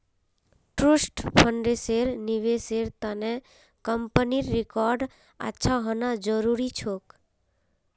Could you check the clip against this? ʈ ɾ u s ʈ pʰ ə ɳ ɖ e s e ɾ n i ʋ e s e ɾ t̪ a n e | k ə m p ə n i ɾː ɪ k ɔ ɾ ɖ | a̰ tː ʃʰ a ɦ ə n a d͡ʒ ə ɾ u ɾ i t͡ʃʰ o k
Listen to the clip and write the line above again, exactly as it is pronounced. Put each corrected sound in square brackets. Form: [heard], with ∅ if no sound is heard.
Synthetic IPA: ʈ ɾ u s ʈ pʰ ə ɳ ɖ e s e ɾ n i ʋ e s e ɾ t̪ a n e | k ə m p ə n i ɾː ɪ k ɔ ɾ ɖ | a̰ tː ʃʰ a ɦ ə n a d͡ʒ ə ɾ u ɾ i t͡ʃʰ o k